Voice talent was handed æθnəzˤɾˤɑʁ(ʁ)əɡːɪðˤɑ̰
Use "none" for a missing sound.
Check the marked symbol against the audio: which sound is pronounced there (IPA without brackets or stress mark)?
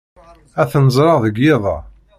ð